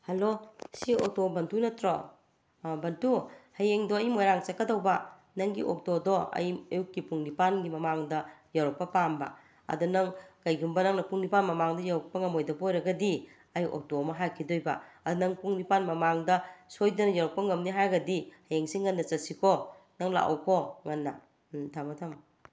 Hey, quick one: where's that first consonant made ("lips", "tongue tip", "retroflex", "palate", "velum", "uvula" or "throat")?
throat